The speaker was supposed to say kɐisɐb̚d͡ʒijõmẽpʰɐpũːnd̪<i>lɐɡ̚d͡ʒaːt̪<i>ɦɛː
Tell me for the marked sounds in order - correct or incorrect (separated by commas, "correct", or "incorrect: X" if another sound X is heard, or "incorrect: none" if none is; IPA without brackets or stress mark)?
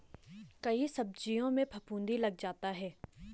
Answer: correct, incorrect: a